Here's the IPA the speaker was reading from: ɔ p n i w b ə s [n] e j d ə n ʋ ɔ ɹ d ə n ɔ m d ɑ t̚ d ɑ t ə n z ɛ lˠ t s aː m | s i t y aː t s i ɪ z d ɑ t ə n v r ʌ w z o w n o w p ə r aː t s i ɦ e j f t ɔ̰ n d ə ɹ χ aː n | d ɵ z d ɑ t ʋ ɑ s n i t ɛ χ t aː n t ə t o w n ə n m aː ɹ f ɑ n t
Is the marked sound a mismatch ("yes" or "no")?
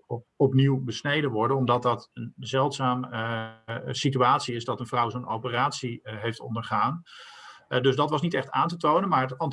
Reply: no